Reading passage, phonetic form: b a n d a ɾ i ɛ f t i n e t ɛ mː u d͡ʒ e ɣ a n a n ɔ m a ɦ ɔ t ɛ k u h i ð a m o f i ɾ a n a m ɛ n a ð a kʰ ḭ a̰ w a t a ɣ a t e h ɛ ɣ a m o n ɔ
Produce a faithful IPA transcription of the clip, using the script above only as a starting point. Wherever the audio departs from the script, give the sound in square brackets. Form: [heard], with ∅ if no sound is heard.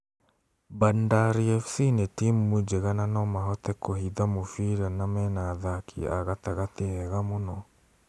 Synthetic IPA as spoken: b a n d a ɾ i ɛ f [s] i n e t [i] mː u d͡ʒ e ɣ a n a n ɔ m a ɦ ɔ t ɛ k [o] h i ð a m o f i ɾ a n a m ɛ n a ð a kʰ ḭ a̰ [ɣ] a t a ɣ a t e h ɛ ɣ a m o n ɔ